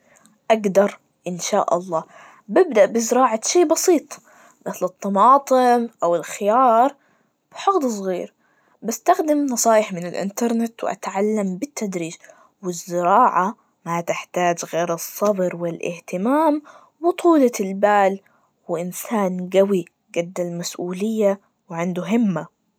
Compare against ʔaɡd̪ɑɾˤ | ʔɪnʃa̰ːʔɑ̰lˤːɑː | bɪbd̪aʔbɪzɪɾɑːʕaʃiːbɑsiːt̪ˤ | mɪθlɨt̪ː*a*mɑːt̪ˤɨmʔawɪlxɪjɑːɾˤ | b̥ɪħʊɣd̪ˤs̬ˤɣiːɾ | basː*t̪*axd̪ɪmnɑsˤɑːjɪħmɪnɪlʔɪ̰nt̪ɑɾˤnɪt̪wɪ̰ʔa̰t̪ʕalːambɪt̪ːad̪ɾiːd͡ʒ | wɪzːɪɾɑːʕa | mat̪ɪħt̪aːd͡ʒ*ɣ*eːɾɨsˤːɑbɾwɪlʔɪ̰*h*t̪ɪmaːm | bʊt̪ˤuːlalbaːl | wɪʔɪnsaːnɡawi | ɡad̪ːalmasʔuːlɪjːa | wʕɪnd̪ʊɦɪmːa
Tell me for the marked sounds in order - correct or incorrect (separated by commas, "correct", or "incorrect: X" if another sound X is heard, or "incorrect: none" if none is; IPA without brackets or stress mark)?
incorrect: ɑ, correct, correct, correct